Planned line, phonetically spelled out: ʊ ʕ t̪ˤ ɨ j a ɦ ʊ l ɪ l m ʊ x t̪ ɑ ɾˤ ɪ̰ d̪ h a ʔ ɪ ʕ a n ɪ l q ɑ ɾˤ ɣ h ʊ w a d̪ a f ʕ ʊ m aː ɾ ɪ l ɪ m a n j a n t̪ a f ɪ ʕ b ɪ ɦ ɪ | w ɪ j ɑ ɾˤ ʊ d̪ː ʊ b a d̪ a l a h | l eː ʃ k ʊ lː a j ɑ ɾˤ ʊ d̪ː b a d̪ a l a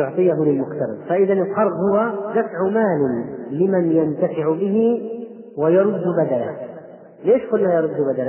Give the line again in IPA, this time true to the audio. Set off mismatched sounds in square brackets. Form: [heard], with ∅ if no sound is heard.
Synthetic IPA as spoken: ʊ ʕ t̪ˤ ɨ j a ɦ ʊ l ɪ l m ʊ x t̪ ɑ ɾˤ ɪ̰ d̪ [f] a ʔ ɪ [ð] a n ɪ l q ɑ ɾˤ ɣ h ʊ w a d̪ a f ʕ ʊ m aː [l] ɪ l ɪ m a n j a n t̪ a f ɪ ʕ b ɪ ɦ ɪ | w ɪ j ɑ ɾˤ ʊ d̪ː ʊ b a d̪ a l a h | l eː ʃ k ʊ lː a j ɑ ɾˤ ʊ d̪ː b a d̪ a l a